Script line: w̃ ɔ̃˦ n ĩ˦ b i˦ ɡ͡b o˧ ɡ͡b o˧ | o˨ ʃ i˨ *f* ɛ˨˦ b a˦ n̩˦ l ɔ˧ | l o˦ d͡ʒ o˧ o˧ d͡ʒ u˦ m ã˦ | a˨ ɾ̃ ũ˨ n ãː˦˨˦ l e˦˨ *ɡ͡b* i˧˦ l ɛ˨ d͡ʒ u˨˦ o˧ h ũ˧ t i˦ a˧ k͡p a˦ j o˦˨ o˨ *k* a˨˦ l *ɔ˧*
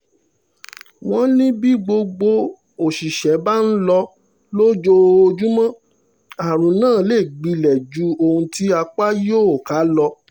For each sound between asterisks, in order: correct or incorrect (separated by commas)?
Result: incorrect, correct, correct, correct